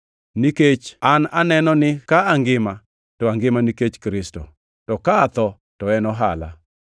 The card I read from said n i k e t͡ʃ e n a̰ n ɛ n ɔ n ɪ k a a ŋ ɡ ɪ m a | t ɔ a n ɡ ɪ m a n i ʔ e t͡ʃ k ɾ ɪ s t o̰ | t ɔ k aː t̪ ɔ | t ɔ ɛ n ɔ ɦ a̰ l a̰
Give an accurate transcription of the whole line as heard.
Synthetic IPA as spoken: n i k e t͡ʃ a n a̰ n ɛ n ɔ n ɪ k a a ŋ ɡ ɪ m a | t ɔ a ŋ ɡ ɪ m a n i k e t͡ʃ k ɾ ɪ s t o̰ | t ɔ k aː t̪ ɔ | t ɔ ɛ n ɔ ɦ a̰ l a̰